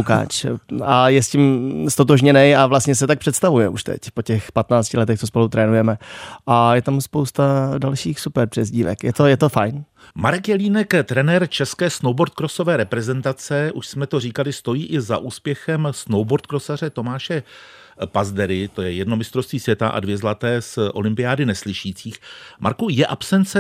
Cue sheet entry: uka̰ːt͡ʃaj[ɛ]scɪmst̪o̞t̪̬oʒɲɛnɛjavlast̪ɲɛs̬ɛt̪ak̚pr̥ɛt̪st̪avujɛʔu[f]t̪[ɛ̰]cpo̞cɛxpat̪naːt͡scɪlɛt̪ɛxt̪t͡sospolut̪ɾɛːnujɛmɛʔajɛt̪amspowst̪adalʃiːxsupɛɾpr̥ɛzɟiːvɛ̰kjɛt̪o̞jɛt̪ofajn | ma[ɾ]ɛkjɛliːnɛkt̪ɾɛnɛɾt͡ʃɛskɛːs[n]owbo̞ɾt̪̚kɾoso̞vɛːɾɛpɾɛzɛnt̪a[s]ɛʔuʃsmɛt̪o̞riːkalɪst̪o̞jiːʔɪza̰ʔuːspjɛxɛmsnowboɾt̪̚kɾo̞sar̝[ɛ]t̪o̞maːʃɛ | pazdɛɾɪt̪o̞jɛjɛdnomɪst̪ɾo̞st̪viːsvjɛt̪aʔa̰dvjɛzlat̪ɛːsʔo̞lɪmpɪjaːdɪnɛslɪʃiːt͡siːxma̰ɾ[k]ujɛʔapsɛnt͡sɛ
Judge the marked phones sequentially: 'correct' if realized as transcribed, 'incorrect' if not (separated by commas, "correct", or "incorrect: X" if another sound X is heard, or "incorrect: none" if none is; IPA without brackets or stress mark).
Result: correct, incorrect: ʃ, correct, correct, correct, incorrect: t͡s, correct, correct